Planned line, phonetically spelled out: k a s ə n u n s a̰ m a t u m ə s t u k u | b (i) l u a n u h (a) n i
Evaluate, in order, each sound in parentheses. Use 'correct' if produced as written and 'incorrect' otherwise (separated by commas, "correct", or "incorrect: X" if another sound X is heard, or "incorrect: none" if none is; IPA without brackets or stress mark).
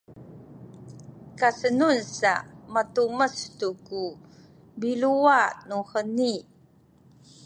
correct, incorrect: ə